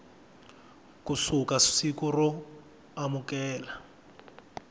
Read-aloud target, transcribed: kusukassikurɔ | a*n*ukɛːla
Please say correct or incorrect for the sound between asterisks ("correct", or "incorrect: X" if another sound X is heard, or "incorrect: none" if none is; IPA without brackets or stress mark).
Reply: incorrect: m